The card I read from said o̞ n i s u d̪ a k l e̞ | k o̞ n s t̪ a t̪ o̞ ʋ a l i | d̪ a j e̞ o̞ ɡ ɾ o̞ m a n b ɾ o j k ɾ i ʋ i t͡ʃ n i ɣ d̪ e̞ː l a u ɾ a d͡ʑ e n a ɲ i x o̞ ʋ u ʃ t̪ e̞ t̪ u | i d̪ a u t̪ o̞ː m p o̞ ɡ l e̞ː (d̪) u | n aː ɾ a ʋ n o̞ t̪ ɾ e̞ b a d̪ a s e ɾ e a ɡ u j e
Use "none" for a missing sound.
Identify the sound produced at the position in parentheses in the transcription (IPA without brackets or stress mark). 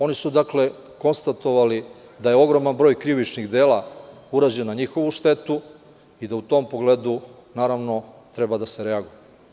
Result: d̪